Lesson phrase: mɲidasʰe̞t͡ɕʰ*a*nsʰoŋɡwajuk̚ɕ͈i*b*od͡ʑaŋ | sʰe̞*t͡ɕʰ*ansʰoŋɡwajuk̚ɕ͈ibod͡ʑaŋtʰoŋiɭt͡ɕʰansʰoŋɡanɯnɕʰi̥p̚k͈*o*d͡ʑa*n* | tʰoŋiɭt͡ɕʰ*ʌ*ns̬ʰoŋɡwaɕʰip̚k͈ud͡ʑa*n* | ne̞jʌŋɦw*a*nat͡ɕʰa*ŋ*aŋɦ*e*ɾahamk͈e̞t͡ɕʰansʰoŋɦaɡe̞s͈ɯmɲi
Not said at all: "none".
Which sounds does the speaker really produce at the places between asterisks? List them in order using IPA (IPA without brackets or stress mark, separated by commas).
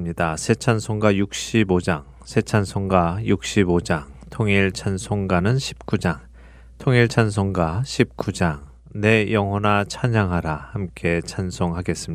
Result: a, b, t͡ɕʰ, u, ŋ, a, ŋ, ʌ, ɲ, a